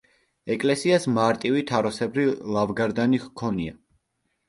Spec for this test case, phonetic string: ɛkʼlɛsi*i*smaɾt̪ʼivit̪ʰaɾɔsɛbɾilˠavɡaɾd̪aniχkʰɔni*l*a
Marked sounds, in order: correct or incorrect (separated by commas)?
incorrect, incorrect